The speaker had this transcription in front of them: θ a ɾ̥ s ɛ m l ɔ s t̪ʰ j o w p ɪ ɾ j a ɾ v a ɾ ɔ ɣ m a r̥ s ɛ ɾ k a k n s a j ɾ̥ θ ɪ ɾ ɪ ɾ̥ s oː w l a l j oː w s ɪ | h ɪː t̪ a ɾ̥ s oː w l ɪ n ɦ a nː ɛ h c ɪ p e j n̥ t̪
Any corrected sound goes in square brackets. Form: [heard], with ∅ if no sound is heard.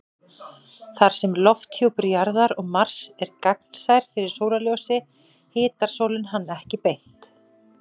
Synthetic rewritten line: θ a ɾ̥ s ɛ m l ɔ [f] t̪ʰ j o w p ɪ ɾ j a ɾ [ð] a ɾ ɔ ɣ m a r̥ s ɛ ɾ k a k n s a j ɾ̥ [f] ɪ ɾ ɪ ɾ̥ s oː w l a l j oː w s ɪ | h ɪː t̪ a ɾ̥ s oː w l ɪ n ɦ a nː ɛ h c ɪ p e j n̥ t̪